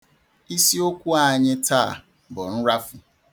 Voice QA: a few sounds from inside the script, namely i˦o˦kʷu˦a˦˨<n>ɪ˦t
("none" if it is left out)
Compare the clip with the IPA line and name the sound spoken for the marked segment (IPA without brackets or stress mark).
ɲ